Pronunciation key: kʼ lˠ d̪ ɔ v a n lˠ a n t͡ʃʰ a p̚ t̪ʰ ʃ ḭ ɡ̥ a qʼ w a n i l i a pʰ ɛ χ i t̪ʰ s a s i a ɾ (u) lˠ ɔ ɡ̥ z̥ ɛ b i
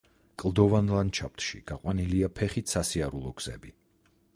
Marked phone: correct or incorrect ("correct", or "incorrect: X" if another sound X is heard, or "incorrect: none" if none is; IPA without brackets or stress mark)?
correct